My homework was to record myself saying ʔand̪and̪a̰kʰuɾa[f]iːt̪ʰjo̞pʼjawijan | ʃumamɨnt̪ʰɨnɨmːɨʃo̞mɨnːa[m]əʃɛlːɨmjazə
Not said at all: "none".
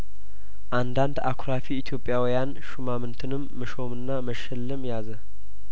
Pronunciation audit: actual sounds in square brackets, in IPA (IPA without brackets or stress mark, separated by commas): f, m